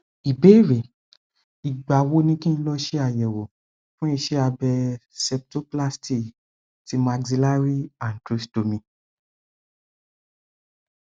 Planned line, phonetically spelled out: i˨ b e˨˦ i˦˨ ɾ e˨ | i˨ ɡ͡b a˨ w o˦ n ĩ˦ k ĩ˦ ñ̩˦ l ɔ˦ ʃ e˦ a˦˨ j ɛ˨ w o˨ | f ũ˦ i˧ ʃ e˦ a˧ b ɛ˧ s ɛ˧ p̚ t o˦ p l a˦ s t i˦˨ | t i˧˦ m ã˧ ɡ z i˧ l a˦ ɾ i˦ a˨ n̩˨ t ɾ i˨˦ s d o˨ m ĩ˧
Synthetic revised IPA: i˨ b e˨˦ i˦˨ ɾ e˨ | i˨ ɡ͡b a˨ w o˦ n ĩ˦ k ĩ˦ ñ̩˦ l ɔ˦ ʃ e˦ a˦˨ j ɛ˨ w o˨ | f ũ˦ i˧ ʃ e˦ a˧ b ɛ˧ s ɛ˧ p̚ t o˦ p l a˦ s t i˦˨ | t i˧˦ m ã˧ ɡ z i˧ l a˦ ɾ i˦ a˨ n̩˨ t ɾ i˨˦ s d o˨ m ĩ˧